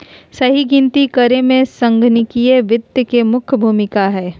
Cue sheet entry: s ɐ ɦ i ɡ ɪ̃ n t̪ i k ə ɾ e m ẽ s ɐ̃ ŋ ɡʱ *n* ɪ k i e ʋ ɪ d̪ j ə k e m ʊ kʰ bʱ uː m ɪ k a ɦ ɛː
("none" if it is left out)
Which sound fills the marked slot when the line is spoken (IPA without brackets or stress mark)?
n